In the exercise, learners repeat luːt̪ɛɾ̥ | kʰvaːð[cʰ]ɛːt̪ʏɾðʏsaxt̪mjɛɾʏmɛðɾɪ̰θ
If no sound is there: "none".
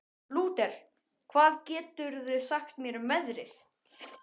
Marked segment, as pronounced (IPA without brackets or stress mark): c